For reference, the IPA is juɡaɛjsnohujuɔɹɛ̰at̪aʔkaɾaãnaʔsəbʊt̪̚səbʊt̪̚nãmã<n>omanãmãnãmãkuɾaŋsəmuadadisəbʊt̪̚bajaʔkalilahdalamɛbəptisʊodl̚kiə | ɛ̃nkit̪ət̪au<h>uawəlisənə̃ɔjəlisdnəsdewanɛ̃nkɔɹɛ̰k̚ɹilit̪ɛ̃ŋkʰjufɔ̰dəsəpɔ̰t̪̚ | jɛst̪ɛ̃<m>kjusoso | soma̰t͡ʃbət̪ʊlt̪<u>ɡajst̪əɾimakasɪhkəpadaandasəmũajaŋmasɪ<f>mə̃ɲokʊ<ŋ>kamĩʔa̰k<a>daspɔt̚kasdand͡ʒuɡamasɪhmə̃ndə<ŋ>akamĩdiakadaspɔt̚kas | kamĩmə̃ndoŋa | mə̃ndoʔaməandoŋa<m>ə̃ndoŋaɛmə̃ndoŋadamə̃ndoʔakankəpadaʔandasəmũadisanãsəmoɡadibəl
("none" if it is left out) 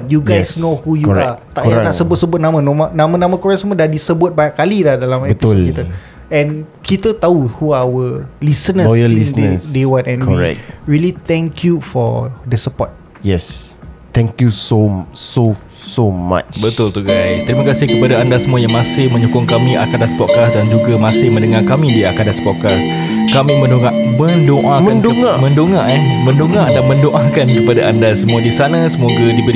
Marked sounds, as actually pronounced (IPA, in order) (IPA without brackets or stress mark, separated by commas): n, h, ŋ, u, h, ŋ, a, ŋ, m